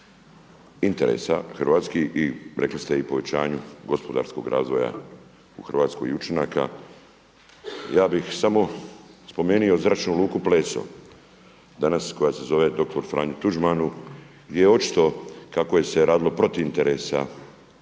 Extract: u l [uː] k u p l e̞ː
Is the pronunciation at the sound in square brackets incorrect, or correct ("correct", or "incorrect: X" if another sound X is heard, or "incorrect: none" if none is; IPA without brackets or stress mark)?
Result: correct